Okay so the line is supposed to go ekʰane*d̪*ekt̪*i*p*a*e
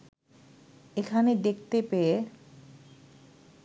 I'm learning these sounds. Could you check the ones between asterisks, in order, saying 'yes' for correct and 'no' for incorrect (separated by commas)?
yes, no, no